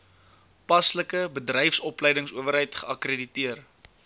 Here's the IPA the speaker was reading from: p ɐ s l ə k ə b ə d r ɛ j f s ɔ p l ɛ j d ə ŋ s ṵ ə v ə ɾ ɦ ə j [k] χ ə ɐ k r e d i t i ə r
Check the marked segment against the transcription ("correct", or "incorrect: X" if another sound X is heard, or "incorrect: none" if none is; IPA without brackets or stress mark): incorrect: t